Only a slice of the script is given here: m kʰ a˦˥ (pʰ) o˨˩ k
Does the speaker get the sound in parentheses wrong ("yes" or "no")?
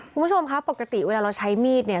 yes